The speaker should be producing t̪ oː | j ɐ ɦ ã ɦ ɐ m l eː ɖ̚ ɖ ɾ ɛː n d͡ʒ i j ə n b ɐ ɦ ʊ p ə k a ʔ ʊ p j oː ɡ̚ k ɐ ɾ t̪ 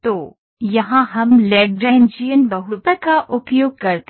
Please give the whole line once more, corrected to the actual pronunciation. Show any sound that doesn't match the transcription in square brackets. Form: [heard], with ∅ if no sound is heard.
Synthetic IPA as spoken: t̪ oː | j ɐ ɦ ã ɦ ɐ m l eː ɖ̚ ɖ ɾ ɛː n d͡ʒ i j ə n b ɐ ɦ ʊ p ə k a ʔ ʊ p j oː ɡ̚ k ɐ ɾ t̪

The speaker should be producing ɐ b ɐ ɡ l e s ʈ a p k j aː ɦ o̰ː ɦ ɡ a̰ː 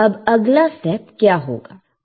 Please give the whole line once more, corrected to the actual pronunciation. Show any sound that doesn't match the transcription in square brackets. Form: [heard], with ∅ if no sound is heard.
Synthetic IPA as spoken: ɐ b ɐ ɡ l [a] s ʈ [ɛ] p k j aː ɦ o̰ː [∅] ɡ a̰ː

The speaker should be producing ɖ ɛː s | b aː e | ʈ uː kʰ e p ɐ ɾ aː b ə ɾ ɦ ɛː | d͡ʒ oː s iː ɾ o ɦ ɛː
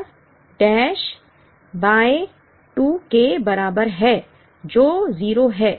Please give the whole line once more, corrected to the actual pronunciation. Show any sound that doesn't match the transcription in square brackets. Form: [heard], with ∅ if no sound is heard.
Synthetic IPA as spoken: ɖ ɛː [ʃ] | b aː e | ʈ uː [k] e [b] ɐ ɾ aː b ə ɾ ɦ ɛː | d͡ʒ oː [z] iː ɾ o ɦ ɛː

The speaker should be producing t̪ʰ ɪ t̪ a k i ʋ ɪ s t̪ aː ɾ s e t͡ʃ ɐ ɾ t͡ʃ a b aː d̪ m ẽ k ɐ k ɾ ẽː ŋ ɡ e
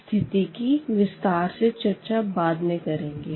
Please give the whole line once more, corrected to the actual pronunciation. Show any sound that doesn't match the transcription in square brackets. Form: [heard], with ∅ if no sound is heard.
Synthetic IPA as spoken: t̪ʰ ɪ t̪ [i] k i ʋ ɪ s t̪ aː ɾ s e t͡ʃ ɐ ɾ t͡ʃ a b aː d̪ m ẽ k ɐ [∅] ɾ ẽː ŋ ɡ e

